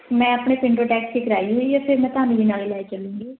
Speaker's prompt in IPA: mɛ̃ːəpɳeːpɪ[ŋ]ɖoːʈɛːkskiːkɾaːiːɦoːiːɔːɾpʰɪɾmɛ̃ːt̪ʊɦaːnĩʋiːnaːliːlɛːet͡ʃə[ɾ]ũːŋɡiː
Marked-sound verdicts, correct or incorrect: incorrect: ɳ, incorrect: l

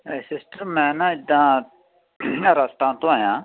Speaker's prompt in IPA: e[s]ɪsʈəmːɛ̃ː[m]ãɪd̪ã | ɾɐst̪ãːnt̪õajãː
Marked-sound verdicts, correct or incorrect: correct, incorrect: n

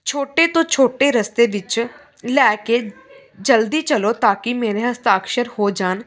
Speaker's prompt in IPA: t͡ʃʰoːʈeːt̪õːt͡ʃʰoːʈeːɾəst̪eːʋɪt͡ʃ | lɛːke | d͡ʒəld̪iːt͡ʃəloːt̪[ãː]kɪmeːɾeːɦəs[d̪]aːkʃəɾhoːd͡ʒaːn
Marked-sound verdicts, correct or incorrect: incorrect: aː, incorrect: t̪

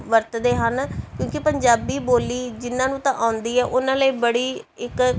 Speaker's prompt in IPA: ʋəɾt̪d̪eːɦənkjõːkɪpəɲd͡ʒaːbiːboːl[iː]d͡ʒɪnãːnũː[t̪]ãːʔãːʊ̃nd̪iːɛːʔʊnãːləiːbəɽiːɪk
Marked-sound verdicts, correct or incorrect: correct, correct

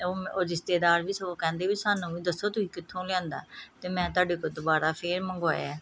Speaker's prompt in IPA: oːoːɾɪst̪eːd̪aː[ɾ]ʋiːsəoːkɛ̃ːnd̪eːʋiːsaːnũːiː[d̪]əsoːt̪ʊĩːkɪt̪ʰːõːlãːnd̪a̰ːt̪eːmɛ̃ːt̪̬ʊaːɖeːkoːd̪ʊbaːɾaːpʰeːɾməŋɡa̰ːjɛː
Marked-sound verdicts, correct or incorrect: correct, correct

